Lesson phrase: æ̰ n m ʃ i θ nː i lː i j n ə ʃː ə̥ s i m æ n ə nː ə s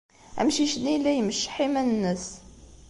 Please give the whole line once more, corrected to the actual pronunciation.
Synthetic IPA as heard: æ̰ m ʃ i ʃ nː i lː æ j m ə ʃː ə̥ ħ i m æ n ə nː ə s